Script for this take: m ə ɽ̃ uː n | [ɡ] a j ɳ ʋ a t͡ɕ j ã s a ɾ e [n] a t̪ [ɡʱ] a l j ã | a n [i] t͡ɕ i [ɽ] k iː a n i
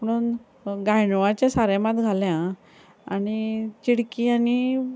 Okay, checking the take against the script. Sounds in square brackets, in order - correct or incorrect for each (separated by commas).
correct, incorrect, correct, correct, correct